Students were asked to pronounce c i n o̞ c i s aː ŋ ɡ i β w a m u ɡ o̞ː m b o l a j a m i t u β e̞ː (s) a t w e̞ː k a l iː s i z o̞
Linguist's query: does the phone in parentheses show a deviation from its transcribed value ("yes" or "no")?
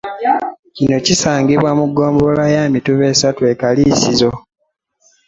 no